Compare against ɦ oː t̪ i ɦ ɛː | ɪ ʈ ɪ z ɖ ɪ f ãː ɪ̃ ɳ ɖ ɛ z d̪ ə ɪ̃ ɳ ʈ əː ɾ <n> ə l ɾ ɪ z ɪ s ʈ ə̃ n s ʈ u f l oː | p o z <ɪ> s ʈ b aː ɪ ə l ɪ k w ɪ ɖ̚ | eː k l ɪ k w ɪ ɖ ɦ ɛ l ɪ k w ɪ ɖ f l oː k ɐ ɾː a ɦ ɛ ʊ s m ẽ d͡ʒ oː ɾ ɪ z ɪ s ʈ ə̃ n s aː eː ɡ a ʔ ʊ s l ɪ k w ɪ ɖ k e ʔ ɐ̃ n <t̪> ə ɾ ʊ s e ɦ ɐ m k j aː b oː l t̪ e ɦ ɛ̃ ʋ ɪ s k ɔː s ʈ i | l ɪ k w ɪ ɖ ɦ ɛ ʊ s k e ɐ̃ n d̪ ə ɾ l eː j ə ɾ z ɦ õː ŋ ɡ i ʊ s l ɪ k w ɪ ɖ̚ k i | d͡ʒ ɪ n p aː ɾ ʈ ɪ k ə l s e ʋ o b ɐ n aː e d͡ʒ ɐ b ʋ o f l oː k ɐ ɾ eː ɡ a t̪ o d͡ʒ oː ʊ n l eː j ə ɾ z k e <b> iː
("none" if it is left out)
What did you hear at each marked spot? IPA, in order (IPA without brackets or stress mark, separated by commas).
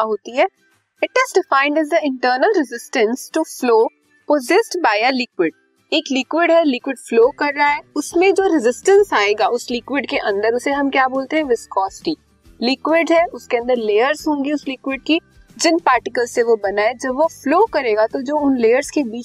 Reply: n, ɪ, d̪, b